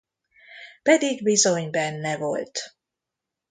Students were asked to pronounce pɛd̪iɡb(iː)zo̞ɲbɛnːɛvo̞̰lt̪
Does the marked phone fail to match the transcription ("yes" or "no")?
yes